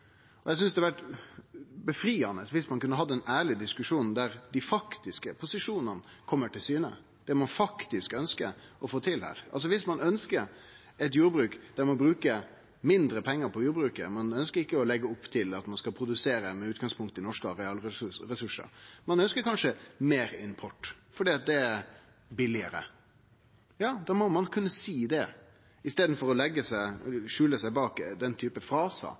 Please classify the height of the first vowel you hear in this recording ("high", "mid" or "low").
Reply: mid